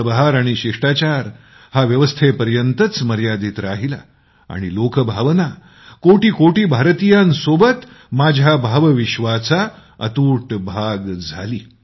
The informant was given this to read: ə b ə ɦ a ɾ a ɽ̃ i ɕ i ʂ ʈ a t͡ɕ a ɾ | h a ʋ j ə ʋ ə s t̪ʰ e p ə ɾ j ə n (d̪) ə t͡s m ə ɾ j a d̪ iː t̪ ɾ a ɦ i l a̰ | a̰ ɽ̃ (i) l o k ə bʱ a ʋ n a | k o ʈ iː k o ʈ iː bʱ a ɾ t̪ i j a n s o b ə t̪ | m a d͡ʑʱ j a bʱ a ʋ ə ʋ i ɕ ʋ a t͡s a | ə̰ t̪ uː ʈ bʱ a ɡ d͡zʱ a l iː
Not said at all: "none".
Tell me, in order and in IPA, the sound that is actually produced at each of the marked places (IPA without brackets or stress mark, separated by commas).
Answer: t̪, i